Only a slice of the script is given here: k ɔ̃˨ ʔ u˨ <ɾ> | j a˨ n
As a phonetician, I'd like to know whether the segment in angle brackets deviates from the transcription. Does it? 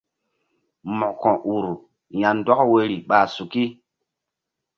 no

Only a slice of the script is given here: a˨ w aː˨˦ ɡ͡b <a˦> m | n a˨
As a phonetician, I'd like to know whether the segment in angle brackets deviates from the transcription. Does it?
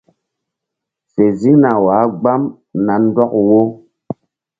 no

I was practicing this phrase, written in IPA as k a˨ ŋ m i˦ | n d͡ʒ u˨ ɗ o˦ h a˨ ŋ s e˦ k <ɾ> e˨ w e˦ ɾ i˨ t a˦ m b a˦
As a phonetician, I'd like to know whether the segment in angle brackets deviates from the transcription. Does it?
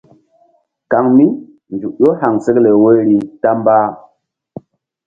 yes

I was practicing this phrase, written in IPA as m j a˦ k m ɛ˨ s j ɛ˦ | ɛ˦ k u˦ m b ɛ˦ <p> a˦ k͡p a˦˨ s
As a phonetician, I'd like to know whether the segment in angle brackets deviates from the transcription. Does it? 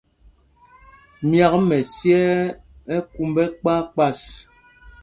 yes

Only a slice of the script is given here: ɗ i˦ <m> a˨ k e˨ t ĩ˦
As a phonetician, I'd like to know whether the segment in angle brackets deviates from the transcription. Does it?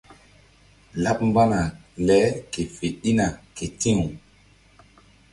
yes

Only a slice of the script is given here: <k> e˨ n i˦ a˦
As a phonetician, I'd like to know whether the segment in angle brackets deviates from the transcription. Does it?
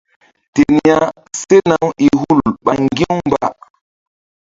yes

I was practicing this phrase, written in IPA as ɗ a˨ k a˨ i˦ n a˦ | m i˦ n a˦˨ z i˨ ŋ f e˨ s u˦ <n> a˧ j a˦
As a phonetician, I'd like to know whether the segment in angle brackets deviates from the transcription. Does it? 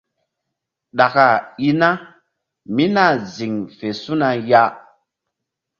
no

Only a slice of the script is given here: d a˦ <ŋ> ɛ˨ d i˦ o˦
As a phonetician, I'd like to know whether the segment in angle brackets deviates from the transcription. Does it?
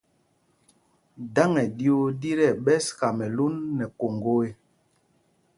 no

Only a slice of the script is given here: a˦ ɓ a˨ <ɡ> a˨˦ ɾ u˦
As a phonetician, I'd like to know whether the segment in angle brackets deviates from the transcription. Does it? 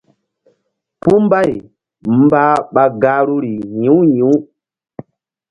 no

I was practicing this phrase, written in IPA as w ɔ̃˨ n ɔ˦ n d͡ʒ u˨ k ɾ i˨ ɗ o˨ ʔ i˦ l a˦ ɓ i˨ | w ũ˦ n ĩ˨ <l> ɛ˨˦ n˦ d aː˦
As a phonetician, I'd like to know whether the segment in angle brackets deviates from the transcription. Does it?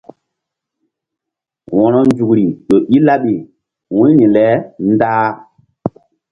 no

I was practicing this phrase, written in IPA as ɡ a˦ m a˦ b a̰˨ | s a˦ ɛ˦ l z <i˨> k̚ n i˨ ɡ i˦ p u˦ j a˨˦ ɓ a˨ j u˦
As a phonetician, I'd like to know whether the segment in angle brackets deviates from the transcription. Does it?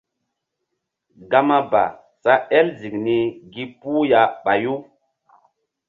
no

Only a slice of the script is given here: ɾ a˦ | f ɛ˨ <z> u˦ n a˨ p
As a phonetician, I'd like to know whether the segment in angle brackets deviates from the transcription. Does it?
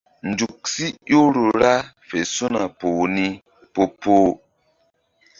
yes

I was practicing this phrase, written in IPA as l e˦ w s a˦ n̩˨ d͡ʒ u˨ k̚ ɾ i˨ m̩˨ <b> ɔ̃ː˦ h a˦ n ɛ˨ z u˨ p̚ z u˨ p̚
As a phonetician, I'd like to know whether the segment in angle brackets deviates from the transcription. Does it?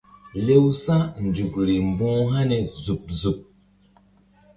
no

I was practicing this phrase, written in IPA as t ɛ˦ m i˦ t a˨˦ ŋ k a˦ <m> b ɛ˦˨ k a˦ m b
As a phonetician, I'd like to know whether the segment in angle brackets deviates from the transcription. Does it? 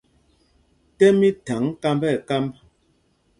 no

